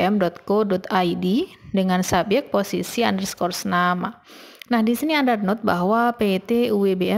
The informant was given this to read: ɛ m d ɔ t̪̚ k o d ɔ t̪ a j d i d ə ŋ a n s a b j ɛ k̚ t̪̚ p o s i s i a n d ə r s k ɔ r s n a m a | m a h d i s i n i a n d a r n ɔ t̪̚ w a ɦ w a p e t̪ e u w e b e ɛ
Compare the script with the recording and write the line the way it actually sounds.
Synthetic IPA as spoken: ɛ m d ɔ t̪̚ k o d ɔ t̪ a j d i d ə ŋ a n s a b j ɛ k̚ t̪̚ p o s i s i a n d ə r s k ɔ r s n a m a | n a h d i s i n i a n d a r n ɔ t̪̚ b a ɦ w a p e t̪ e u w e b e ɛ